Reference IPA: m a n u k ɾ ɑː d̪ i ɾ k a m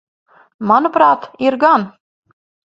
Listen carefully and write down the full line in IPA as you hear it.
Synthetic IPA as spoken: m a n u p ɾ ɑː t̪ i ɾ ɡ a n